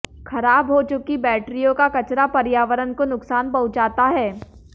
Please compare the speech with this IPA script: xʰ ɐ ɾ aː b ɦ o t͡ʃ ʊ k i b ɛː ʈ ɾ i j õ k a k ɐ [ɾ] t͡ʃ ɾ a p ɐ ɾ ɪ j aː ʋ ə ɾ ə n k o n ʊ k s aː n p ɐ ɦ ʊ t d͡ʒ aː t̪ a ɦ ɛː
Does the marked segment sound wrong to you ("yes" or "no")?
yes